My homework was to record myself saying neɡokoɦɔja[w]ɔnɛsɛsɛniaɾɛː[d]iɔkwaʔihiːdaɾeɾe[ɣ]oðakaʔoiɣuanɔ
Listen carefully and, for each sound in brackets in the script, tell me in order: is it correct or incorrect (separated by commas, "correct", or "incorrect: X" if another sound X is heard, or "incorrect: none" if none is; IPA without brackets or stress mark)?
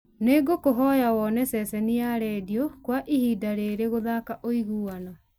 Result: correct, correct, correct